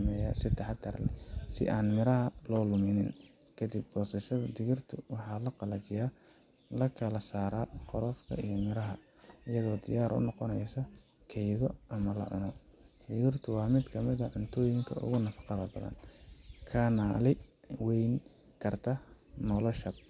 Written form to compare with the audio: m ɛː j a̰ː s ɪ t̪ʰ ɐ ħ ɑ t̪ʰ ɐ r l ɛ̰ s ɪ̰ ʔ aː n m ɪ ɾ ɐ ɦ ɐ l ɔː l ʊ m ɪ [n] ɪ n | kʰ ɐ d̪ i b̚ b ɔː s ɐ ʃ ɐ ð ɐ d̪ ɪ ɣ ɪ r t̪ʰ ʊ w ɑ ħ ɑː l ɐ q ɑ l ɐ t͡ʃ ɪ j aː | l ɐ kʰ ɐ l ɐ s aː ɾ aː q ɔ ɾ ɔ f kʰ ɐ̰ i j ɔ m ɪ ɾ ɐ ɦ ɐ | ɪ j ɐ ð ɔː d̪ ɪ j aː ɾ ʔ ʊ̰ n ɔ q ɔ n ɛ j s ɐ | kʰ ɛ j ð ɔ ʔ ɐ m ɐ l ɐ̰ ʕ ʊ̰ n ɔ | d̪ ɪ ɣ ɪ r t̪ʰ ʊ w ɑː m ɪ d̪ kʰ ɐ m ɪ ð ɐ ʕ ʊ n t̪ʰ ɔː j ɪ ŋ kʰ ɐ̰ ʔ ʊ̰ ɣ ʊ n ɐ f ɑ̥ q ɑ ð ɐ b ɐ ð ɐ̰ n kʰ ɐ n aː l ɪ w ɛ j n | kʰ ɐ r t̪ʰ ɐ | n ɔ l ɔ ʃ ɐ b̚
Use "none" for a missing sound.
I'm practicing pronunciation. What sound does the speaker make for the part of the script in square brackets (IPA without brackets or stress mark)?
n